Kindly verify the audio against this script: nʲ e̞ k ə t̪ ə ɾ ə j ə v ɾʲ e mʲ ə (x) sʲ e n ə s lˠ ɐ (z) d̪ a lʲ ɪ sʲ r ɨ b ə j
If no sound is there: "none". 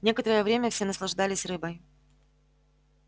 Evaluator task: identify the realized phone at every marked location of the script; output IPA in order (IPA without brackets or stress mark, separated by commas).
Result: f, ʐ